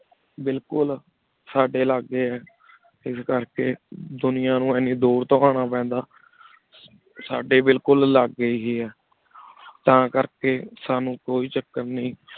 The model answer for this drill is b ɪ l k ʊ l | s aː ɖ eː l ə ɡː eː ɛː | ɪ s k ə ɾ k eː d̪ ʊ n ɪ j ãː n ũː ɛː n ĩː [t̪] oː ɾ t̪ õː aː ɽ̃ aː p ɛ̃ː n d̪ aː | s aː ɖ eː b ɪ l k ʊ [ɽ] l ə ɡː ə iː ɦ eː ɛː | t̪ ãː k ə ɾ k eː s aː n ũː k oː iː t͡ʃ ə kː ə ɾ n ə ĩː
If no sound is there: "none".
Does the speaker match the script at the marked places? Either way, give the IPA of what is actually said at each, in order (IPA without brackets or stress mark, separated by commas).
d̪, l